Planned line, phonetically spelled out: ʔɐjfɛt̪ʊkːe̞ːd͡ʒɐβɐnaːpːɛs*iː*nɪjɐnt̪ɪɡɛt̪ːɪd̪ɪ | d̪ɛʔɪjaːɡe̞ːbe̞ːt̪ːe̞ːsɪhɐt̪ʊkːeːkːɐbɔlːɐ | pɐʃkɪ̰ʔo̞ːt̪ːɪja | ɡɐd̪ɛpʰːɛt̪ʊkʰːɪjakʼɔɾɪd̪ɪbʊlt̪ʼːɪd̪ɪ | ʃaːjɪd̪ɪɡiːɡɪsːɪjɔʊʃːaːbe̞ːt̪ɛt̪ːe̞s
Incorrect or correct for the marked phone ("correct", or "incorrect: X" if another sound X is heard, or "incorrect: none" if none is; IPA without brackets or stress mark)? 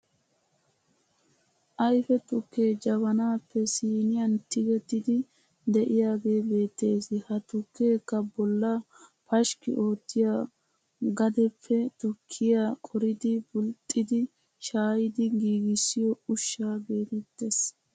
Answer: correct